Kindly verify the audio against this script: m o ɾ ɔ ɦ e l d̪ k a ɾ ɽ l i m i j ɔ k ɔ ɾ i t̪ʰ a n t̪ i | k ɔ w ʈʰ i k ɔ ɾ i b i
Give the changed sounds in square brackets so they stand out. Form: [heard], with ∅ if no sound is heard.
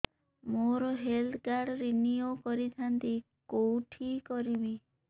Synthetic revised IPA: m o ɾ ɔ ɦ e l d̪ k a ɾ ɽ [ɾ] i [n] i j [o] k ɔ ɾ i t̪ʰ a n t̪ i | k [o] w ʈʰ i k ɔ ɾ i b i